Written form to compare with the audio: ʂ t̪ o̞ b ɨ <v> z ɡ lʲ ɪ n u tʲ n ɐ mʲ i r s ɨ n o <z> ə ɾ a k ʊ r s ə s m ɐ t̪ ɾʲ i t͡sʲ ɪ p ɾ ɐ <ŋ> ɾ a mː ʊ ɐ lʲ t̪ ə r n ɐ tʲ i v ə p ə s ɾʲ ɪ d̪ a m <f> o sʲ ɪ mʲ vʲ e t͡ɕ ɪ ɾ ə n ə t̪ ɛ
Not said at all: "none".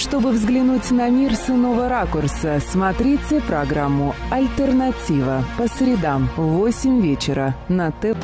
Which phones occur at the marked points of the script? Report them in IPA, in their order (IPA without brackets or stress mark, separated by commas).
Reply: v, v, ɡ, v